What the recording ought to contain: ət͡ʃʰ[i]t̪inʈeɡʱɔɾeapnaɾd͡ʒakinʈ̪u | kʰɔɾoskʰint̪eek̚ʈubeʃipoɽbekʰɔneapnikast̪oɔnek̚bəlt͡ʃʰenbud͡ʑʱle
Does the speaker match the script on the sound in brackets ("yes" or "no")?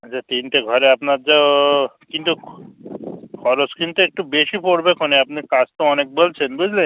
no